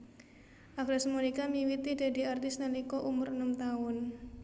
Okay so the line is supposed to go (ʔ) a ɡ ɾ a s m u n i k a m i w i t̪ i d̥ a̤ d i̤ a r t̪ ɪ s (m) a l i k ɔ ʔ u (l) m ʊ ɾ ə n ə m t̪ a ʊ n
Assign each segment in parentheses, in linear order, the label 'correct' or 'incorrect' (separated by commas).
correct, incorrect, incorrect